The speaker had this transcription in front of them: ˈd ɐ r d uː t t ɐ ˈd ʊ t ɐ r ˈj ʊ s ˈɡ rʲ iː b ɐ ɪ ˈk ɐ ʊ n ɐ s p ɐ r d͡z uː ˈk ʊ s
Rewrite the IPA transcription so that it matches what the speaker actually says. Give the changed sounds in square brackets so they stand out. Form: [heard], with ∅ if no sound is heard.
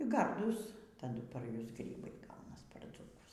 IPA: [ˈɡ] ɐ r d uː [s] t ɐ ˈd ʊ [p] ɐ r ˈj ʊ s ˈɡ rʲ iː b ɐ ɪ [ˈɡ] ɐ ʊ n ɐ s p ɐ r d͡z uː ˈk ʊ s